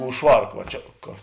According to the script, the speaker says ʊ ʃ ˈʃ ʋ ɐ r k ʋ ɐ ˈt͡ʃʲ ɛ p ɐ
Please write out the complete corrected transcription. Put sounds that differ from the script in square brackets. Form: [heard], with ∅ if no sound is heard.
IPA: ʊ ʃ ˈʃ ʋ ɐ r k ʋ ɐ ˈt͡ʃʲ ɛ [k] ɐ